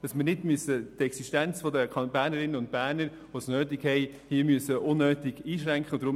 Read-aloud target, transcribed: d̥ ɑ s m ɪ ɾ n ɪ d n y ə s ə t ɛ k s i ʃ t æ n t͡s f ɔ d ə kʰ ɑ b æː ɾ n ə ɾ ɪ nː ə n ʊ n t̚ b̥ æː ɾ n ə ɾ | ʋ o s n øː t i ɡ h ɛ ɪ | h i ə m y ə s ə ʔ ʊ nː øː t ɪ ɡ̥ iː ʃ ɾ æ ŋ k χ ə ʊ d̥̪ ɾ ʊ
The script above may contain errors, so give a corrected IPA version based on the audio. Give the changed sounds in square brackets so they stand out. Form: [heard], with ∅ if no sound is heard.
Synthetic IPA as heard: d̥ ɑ s m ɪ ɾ n ɪ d [m] y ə s ə t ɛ k s i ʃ t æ n t͡s f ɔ d ə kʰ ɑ b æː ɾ n ə ɾ ɪ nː ə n ʊ n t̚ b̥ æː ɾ n ə ɾ | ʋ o s n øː t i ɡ h ɛ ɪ | h i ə m y ə s ə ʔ ʊ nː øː t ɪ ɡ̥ iː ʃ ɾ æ ŋ k χ ə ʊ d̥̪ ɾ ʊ